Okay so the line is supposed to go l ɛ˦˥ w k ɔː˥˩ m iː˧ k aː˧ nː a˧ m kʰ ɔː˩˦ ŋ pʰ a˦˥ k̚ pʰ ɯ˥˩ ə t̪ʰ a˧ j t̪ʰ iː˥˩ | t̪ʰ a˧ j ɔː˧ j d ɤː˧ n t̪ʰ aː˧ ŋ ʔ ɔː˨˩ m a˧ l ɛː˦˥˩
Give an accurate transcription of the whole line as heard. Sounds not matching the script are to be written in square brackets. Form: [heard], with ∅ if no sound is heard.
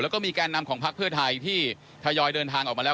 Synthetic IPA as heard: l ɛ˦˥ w k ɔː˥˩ m iː˧ k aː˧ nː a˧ m kʰ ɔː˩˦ ŋ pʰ a˦˥ k̚ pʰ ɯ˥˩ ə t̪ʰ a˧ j t̪ʰ iː˥˩ | t̪ʰ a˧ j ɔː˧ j d ɤː˧ n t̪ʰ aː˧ ŋ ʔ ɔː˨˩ m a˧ l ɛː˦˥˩